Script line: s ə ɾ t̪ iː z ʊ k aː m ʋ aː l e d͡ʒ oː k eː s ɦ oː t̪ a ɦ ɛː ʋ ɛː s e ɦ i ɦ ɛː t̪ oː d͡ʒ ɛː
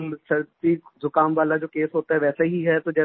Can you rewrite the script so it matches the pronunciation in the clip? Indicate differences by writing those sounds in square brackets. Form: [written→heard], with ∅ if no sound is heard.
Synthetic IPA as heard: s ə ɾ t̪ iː z ʊ k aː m ʋ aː l [e→a] d͡ʒ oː k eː s ɦ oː t̪ a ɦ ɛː ʋ ɛː s e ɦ i ɦ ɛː t̪ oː d͡ʒ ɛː